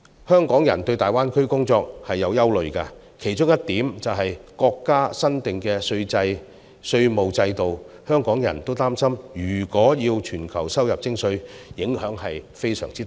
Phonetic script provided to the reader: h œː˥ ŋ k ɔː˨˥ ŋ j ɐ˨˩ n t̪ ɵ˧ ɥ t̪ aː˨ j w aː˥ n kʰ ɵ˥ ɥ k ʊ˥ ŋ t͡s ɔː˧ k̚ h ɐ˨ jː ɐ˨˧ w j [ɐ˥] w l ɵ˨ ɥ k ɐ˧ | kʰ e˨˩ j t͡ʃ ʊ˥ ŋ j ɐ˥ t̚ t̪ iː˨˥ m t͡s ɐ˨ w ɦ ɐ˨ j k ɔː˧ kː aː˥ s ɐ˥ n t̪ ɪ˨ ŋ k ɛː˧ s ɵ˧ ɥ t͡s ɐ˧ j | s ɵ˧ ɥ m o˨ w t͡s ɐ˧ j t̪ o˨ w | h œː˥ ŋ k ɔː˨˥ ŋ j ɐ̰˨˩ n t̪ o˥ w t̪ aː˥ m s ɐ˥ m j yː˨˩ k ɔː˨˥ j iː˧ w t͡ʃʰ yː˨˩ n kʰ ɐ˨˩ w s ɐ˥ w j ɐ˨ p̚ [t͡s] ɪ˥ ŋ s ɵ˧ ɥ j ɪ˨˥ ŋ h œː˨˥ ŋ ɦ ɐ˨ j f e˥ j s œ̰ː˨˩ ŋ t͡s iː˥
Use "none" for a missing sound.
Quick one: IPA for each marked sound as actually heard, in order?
ɐ˥, t͡s

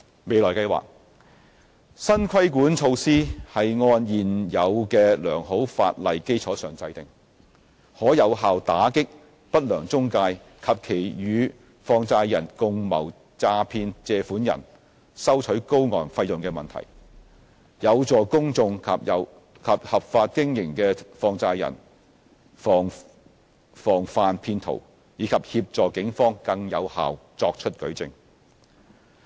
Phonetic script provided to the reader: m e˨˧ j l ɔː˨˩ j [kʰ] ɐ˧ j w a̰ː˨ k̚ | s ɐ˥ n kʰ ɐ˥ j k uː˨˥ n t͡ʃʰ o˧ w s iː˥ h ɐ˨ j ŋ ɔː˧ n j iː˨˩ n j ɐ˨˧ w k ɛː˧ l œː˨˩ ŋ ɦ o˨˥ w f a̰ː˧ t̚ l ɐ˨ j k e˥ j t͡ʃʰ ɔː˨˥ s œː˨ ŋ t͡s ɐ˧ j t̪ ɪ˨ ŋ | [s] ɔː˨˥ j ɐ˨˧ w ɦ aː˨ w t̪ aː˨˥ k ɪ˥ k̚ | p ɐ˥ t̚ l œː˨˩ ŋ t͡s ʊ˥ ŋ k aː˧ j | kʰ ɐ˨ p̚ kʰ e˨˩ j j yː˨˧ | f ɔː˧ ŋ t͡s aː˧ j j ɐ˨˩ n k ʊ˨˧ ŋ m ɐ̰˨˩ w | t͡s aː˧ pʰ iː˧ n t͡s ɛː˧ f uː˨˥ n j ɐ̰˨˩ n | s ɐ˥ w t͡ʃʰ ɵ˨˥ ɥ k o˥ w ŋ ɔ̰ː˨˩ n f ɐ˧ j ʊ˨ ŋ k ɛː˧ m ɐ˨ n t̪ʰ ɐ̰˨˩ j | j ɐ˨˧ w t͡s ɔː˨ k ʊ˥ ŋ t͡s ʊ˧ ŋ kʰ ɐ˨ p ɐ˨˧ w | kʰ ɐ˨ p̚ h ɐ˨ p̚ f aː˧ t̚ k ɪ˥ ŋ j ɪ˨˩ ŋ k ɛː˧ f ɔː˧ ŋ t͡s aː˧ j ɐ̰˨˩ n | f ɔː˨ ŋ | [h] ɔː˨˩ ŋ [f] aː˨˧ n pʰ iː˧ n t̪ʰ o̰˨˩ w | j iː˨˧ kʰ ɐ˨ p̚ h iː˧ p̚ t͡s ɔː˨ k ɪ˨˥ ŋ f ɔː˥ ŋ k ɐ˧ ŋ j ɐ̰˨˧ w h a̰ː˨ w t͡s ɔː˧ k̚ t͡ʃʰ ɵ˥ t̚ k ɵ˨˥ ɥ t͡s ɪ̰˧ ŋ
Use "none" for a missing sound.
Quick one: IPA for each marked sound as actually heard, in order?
k, h, f, f

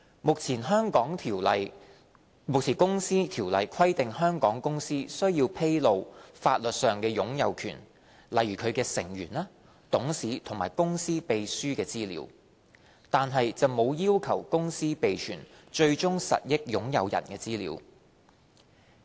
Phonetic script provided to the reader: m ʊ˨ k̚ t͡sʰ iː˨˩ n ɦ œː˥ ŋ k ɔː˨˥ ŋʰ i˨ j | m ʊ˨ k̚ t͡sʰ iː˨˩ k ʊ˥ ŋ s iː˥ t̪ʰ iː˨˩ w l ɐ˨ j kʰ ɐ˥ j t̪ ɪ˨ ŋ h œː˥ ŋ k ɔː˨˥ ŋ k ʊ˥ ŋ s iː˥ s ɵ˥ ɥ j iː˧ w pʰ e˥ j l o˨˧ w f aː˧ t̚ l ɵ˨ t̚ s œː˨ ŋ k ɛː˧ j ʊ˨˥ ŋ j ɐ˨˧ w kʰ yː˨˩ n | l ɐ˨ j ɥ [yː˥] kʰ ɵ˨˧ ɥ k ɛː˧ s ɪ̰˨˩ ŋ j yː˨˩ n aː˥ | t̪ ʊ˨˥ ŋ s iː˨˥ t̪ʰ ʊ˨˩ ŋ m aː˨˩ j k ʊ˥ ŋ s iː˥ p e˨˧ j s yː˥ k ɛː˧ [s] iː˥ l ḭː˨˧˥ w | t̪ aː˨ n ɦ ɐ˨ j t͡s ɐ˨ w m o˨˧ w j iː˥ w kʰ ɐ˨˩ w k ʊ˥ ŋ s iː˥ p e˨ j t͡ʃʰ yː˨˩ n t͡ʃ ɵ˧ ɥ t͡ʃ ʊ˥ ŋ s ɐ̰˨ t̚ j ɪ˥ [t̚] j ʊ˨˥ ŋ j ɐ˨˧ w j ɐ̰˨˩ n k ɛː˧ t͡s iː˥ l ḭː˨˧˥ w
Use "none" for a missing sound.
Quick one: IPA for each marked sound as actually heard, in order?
yː˨˩, t͡s, k̚

